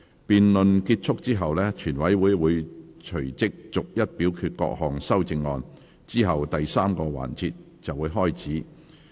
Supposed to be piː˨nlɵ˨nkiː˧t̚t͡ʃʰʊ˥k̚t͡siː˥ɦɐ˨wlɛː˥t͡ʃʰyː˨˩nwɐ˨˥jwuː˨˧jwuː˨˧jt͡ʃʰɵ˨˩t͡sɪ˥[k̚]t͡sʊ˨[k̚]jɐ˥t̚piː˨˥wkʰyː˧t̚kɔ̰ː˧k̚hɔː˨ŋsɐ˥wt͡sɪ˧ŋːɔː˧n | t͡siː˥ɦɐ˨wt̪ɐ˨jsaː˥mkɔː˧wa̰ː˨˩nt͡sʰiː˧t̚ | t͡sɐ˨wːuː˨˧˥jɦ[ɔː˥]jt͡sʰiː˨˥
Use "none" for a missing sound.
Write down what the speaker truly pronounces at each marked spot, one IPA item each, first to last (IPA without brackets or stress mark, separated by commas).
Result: k̚, k̚, ɔː˥